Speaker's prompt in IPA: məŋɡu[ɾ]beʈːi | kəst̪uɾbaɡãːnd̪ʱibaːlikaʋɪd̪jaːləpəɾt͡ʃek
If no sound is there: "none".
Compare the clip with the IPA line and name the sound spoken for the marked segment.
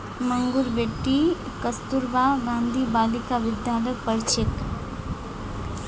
ɾ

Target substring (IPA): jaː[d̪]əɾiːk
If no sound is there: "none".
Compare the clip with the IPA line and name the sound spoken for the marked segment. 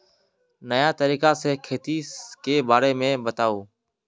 t̪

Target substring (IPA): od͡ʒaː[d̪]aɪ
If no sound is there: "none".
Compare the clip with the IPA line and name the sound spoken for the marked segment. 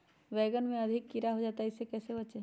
t̪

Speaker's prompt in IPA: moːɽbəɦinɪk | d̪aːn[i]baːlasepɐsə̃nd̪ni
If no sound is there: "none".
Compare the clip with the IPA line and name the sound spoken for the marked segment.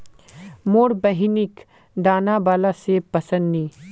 a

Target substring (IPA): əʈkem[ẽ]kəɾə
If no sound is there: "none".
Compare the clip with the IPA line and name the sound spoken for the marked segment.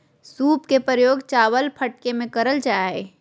ẽ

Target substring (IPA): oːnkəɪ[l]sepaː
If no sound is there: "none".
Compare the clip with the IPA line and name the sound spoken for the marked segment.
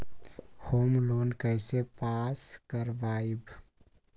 none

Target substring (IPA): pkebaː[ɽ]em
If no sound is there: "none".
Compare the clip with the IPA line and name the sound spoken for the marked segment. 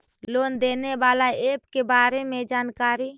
ɾ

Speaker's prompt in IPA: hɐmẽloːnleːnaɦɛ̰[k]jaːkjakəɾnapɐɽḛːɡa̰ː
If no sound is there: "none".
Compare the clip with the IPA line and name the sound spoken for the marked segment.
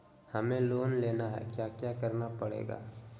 k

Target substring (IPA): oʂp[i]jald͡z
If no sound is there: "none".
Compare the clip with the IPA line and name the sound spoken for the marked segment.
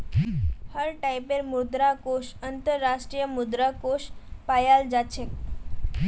a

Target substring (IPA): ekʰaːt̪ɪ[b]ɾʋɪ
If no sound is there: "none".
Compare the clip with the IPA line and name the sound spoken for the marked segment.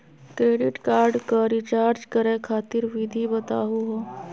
none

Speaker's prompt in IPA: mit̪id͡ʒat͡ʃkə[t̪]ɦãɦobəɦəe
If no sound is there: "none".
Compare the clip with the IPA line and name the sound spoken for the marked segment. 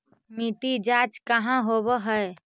none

